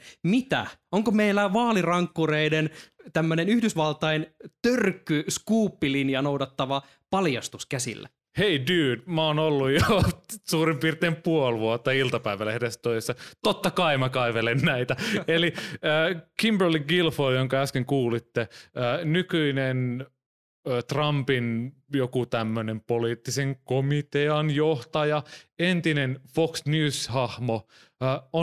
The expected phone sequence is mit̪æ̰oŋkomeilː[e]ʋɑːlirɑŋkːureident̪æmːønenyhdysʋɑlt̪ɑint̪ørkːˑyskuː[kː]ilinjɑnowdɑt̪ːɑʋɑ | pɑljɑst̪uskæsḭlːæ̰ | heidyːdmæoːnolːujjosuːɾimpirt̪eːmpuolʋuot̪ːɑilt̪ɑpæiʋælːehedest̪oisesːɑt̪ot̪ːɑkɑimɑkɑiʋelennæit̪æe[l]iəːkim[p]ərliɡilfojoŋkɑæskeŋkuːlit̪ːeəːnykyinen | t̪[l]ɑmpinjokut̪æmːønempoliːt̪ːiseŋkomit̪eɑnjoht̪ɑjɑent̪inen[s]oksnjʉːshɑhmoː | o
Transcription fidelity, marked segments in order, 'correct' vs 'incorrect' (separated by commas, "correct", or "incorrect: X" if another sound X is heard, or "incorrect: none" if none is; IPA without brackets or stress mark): incorrect: æ, incorrect: pː, correct, incorrect: b, incorrect: r, incorrect: f